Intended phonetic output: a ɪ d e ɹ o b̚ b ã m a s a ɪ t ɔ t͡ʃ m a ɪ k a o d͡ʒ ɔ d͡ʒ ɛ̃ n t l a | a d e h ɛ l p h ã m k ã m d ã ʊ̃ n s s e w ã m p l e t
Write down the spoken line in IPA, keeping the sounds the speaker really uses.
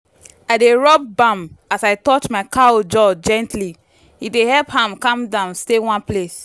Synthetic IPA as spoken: a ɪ d e ɹ ɔ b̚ b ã m a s a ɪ t ɔ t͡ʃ m a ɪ k a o d͡ʒ ɔ d͡ʒ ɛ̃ n t l i | i d e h ɛ l p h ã m k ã m d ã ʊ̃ n s t e w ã n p l e s